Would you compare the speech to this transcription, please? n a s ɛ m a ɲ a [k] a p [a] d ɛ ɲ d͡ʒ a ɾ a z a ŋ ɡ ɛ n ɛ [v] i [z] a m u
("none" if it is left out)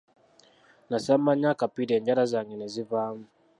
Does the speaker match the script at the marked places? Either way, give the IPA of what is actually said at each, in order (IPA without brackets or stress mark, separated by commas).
k, i, z, v